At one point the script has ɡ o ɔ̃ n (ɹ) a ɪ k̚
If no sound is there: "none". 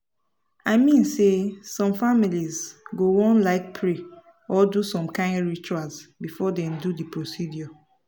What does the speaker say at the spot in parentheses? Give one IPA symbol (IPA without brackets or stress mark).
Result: l